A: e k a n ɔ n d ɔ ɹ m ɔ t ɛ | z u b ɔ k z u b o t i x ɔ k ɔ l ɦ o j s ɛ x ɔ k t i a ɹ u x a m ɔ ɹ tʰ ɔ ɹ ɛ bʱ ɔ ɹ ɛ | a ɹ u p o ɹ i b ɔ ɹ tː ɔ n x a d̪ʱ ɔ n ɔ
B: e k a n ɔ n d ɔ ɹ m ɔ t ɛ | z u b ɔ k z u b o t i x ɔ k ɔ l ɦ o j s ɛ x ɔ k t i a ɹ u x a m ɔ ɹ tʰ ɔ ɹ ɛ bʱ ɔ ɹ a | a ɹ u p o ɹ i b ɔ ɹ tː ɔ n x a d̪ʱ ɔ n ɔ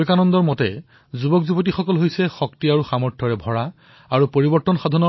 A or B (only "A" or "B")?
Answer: B